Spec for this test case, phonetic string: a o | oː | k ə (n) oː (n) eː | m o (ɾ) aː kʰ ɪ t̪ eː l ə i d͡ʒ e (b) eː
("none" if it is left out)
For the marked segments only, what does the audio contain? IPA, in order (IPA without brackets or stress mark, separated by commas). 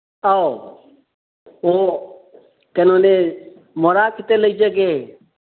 n, n, ɾ, ɡ